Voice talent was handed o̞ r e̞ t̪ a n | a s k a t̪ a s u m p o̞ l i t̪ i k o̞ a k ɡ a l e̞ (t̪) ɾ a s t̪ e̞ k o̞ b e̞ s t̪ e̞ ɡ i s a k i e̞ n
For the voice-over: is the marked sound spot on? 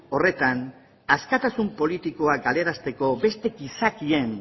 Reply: no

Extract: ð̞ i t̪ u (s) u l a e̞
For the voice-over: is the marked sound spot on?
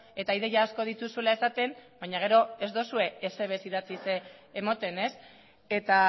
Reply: yes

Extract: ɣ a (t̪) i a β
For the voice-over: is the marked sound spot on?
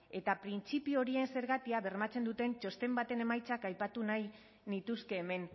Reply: yes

